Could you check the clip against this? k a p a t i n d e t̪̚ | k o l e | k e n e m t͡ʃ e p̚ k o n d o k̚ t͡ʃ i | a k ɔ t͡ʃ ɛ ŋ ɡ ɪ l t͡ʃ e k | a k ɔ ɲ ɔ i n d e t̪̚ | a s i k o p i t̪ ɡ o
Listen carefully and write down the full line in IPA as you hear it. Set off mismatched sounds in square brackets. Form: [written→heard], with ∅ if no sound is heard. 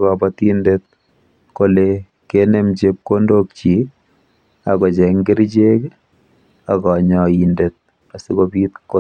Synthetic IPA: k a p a t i n d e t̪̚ | k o l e | k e n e m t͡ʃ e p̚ k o n d o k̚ t͡ʃ i | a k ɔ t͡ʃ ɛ ŋ ɡ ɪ [l→ɾ] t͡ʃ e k | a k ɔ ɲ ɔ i n d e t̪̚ | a s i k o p i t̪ [ɡ→k] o